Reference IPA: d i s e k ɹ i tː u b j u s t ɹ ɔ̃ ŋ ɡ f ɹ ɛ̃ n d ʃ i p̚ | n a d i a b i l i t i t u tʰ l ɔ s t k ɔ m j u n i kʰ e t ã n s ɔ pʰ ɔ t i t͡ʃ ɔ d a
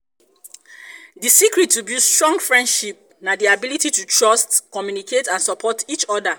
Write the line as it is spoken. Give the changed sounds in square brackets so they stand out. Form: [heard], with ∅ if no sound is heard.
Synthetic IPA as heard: d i s [i] k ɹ i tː u b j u s t ɹ ɔ̃ ŋ ɡ f ɹ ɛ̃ n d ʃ i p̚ | n a d i a b i l i t i t u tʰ [ɹ] ɔ s t k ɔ m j u n i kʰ e t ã n s ɔ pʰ ɔ t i t͡ʃ ɔ d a